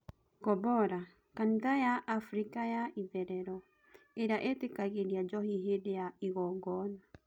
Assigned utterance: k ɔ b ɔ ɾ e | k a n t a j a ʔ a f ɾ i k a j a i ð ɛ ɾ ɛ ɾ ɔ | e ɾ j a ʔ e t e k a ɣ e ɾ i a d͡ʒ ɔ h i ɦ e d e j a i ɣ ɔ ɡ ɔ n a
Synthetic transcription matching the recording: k ɔ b ɔ ɾ a | k a n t a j a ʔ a f ɾ i k a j a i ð ɛ ɾ ɛ ɾ ɔ | e ɾ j a ʔ e t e k a ɣ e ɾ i a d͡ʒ ɔ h i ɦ e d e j a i ɣ ɔ ɡ ɔ n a